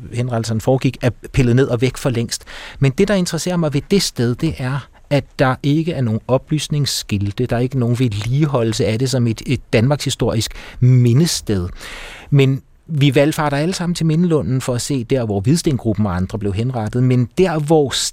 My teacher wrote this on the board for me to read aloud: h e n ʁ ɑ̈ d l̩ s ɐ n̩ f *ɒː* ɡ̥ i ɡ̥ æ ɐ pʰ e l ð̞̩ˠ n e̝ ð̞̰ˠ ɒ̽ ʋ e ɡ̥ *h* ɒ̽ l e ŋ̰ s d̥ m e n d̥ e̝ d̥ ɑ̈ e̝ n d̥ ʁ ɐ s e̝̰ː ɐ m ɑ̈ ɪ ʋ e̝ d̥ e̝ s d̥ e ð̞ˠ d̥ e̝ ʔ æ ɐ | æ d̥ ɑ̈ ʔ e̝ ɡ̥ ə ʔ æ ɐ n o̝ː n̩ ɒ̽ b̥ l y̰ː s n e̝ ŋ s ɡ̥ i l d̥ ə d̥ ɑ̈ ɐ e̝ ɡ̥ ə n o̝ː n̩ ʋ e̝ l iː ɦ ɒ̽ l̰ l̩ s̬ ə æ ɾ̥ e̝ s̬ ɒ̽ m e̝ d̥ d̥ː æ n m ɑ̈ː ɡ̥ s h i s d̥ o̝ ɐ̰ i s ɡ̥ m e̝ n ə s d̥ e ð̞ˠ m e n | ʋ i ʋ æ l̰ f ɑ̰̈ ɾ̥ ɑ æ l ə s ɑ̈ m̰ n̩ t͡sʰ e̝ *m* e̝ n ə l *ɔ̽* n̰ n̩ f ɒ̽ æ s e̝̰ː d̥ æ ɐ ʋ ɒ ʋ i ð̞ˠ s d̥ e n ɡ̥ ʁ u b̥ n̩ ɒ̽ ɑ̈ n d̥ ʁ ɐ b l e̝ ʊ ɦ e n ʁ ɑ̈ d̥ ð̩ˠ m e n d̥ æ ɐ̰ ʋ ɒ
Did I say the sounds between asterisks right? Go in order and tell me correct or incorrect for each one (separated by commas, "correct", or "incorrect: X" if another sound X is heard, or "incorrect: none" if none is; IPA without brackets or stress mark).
correct, incorrect: f, correct, correct